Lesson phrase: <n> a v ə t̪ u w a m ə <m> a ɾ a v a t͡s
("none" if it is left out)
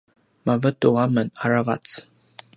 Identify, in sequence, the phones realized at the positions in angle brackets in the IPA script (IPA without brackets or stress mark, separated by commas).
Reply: m, n